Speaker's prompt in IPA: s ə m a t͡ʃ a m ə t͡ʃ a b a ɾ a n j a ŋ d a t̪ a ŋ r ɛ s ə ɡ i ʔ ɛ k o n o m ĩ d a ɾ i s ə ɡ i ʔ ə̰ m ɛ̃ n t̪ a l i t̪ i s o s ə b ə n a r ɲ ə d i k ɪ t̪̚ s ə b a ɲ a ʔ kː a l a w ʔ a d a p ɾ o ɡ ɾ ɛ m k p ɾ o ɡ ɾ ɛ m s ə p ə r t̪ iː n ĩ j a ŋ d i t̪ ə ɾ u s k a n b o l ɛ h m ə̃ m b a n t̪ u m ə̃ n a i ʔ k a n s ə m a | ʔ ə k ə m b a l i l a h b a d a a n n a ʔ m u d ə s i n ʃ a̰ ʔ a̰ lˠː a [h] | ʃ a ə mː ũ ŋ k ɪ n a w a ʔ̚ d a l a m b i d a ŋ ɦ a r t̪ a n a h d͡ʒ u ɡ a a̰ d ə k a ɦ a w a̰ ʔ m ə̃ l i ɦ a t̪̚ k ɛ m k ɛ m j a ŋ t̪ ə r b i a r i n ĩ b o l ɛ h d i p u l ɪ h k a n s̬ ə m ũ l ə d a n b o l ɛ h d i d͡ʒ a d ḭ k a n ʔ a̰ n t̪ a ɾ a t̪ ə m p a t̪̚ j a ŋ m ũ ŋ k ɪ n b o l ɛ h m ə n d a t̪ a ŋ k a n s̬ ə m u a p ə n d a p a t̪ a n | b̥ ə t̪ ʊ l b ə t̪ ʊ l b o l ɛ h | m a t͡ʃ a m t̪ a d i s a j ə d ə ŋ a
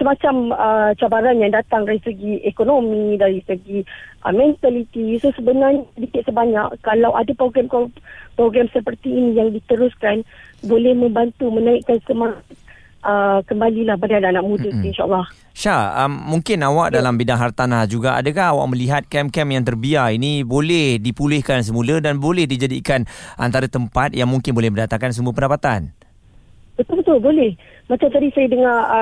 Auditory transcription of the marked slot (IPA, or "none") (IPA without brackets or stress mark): h